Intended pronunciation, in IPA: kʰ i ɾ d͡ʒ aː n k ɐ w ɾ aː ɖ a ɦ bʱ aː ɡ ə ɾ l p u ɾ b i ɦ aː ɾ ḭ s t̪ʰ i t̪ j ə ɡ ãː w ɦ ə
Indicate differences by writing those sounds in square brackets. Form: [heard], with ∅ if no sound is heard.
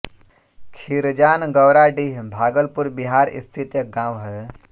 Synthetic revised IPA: kʰ i ɾ d͡ʒ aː n [ɡ] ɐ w ɾ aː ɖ [i] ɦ bʱ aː ɡ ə [∅] l p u ɾ b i ɦ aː ɾ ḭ s t̪ʰ i t̪ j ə ɡ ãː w ɦ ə